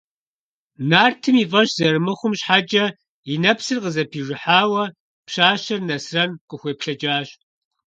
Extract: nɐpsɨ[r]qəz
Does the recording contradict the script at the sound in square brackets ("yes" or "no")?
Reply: no